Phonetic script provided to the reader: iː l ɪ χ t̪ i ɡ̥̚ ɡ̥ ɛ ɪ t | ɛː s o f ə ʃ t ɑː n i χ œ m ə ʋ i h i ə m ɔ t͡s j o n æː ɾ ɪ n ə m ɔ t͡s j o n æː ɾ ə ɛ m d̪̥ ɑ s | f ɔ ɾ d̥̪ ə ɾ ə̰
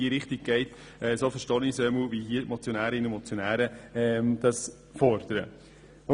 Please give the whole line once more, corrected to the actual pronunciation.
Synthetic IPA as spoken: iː ɾ ɪ χ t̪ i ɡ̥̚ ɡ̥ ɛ ɪ t | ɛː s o f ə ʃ t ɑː n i s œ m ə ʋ i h i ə m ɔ t͡s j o n æː ɾ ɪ n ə m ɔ t͡s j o n æː ɾ ə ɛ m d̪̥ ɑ s | f ɔ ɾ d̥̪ ə ɾ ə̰